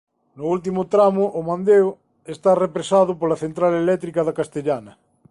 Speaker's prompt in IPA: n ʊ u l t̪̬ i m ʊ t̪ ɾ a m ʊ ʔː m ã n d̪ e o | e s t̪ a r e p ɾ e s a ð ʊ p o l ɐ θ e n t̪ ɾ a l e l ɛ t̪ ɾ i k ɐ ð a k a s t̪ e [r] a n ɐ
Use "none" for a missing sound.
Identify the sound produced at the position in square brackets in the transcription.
ʎ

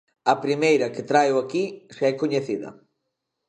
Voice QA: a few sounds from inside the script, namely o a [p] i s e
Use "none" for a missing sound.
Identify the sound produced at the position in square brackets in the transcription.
k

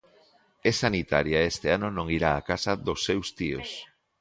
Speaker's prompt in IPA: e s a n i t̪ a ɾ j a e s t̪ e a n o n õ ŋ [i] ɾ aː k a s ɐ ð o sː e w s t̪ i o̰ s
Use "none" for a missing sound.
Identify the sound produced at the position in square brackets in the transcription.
i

